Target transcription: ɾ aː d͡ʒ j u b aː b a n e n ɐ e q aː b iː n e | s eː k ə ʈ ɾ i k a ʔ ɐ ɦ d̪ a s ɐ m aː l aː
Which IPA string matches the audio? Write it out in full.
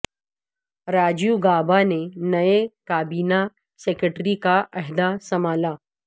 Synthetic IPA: ɾ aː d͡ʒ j u ɡ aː b a n e n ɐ e k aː b iː n a | s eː k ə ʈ ɾ i k a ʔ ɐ ɦ d̪ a s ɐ m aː l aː